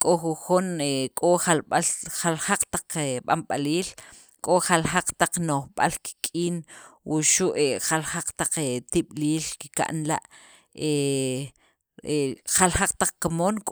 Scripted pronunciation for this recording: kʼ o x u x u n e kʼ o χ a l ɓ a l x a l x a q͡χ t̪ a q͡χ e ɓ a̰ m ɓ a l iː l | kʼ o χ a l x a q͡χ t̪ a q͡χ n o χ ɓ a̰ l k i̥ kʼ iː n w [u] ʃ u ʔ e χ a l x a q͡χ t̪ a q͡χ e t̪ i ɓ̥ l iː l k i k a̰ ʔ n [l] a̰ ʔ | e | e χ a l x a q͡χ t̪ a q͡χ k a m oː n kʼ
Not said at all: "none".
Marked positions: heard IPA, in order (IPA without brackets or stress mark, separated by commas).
u, l